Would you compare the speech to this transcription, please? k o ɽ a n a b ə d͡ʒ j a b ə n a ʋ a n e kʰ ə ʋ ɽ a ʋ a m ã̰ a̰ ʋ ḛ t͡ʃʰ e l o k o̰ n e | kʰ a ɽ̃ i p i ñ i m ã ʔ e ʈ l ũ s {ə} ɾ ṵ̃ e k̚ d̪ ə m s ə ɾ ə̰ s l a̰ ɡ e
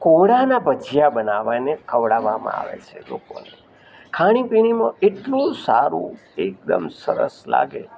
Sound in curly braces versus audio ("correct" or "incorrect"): incorrect